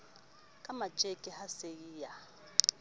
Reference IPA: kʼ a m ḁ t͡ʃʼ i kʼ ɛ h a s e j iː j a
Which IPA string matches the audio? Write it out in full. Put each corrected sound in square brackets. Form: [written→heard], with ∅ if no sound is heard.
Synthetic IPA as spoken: kʼ a m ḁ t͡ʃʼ [i→e] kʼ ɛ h a s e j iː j a